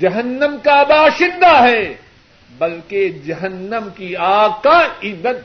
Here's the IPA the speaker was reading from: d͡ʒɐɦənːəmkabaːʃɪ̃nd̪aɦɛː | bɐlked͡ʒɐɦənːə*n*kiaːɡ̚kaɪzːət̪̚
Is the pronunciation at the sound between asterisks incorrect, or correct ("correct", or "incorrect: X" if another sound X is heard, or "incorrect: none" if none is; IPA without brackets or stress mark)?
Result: incorrect: m